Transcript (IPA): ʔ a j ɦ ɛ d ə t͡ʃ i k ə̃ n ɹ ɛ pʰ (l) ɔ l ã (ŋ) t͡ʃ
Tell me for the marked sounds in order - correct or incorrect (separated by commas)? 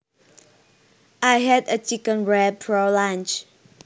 incorrect, incorrect